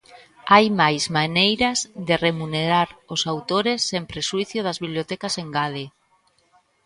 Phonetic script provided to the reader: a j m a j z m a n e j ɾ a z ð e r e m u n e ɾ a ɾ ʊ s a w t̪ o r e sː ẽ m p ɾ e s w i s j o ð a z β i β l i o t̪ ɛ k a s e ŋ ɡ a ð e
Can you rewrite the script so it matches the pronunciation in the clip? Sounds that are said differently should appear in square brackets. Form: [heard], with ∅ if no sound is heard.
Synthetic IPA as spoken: a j m a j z m a n e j ɾ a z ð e r e m u n e ɾ a ɾ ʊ s a w t̪ o [ɾ] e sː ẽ m p ɾ e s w i [θ] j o ð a z β i β l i o t̪ ɛ k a s e ŋ ɡ a ð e